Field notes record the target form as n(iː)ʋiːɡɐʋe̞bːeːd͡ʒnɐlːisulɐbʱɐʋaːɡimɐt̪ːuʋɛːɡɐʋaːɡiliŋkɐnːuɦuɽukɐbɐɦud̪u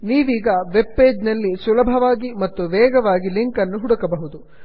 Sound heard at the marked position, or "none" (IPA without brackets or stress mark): iː